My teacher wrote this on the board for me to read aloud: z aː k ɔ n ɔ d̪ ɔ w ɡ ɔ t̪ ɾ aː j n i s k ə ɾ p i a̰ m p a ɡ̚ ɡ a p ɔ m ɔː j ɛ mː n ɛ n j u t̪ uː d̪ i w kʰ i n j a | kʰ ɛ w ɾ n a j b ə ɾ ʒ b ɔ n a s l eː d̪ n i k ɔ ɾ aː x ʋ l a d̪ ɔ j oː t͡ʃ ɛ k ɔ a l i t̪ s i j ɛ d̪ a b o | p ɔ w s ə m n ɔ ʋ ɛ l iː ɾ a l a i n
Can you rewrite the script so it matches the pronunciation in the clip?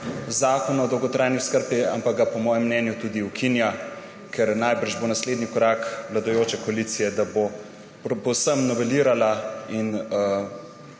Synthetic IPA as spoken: z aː k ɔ n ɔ d̪ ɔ w ɡ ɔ t̪ ɾ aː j n i s k ə ɾ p i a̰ m p a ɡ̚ ɡ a p ɔ m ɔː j ɛ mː n ɛ n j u t̪ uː d̪ i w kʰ i n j a | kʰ ɛ ɾ n a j b ə ɾ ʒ b o n a s l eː d̪ n i k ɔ ɾ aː k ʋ l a d̪ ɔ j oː t͡ʃ ɛ k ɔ a l i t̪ s i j ɛ d̪ a b o | p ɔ w s ə m n ɔ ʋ ɛ l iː ɾ a l a i n